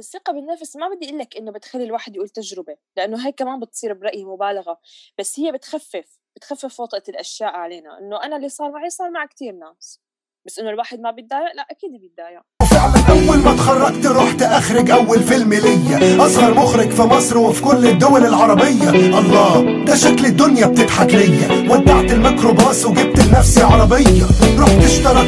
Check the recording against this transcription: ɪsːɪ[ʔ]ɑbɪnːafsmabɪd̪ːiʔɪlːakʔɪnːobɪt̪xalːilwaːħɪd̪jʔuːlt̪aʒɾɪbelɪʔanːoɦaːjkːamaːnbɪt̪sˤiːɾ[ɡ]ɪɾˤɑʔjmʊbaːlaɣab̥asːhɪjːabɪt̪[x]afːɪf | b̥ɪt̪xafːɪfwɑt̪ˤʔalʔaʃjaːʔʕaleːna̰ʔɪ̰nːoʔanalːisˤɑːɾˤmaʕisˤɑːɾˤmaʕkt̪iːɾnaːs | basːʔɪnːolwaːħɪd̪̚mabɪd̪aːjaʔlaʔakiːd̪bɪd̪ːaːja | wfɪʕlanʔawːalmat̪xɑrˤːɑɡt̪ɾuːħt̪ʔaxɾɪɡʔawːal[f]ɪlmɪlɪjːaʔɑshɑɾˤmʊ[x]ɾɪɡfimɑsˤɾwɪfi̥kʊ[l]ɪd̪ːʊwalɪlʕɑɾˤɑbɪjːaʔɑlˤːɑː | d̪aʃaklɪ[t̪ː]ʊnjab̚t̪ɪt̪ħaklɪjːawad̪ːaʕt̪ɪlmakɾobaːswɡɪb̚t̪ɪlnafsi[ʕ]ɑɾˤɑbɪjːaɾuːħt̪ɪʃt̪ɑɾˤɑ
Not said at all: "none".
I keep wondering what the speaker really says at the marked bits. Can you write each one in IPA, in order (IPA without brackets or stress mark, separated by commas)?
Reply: q, b, x, f, x, lː, d̪ː, ʕ